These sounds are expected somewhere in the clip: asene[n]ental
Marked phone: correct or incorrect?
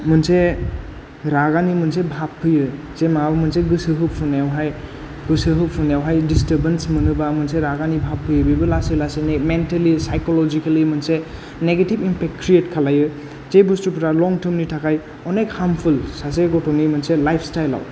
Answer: incorrect: m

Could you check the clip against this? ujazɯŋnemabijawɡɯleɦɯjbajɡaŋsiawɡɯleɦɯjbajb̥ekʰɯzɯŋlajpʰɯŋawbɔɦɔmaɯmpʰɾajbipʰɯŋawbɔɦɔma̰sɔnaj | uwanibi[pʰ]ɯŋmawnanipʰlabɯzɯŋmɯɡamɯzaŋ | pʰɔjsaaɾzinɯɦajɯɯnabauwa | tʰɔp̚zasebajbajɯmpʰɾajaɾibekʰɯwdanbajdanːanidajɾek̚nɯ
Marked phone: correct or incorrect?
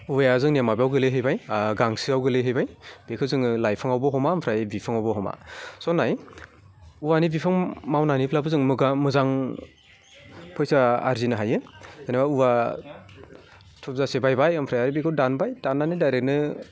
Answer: correct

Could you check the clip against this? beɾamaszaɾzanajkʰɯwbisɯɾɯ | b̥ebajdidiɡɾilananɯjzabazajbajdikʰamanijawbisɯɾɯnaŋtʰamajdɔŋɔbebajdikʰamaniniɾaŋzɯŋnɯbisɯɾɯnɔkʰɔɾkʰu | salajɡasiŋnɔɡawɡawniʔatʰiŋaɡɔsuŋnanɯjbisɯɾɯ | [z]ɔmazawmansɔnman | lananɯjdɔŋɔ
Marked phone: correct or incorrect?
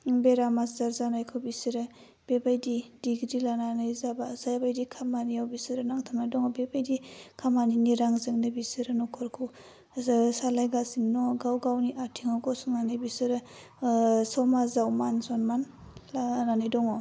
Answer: incorrect: s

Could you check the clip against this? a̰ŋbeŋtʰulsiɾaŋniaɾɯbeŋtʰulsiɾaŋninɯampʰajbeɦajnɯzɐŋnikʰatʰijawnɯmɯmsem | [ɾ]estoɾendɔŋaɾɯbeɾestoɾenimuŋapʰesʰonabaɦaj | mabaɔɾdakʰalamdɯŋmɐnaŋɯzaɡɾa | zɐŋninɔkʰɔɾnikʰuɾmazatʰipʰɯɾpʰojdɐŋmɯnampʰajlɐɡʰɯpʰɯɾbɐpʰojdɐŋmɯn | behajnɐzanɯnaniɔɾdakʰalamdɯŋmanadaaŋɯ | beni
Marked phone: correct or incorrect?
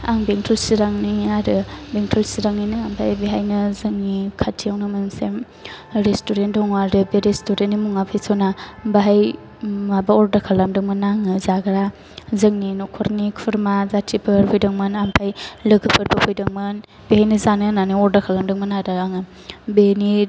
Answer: correct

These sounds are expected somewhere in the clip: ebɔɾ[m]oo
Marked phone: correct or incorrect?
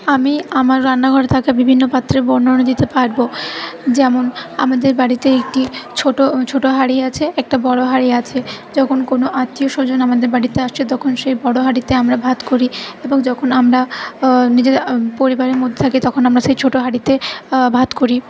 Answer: incorrect: n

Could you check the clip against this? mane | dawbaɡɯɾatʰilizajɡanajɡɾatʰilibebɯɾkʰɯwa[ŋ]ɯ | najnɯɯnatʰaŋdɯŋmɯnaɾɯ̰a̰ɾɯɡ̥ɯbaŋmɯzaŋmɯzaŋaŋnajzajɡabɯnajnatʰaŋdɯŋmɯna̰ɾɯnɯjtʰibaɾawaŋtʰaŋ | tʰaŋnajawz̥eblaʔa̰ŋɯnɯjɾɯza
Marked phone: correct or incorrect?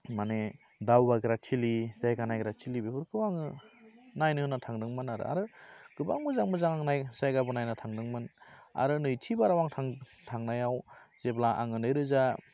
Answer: correct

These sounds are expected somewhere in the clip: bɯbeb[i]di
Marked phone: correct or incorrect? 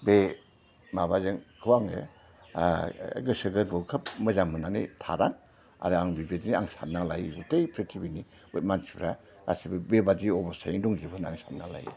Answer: incorrect: a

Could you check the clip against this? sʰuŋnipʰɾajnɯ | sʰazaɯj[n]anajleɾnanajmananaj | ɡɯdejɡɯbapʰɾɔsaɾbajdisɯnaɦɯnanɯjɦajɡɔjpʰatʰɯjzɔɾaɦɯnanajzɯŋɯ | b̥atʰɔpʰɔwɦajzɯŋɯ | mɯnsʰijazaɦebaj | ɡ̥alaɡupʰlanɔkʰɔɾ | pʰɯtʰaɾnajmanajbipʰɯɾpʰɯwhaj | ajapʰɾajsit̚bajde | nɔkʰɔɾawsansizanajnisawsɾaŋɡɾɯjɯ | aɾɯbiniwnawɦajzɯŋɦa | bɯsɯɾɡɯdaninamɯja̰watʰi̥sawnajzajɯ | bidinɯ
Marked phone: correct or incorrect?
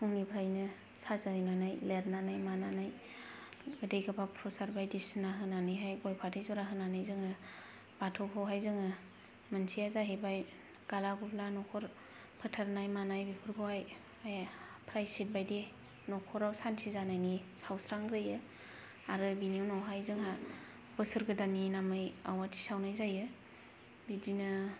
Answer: correct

